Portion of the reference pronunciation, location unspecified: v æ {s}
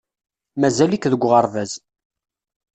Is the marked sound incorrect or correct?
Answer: incorrect